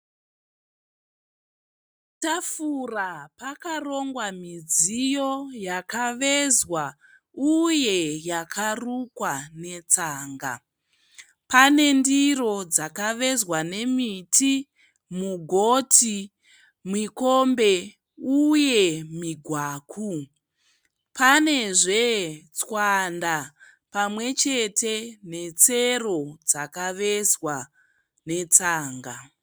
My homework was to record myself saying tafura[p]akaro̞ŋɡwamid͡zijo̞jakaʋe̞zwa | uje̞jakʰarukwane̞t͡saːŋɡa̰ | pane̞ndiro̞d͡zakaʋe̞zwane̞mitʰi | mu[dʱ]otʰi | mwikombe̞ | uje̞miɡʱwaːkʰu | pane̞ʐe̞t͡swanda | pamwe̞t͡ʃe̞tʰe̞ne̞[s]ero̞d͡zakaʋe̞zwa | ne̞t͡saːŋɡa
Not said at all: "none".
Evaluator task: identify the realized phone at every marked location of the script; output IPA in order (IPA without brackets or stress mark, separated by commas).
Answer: p, ɡʱ, t͡s